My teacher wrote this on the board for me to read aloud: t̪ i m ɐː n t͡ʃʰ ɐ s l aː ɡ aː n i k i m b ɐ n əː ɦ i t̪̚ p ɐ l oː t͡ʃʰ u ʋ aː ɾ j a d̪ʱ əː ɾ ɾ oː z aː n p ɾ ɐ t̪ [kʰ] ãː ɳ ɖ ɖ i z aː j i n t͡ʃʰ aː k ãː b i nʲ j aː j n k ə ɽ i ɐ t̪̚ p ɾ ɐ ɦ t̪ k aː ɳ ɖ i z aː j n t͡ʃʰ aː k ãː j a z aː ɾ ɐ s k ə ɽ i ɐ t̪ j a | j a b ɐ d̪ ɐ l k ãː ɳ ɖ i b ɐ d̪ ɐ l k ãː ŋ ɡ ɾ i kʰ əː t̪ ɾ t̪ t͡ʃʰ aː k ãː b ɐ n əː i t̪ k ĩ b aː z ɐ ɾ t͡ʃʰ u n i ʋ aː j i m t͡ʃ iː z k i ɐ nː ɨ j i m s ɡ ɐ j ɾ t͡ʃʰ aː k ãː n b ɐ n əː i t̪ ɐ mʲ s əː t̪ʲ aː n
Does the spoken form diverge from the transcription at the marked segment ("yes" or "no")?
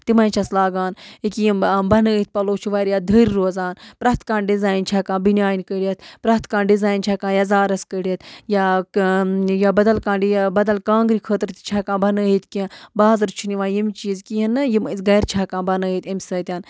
yes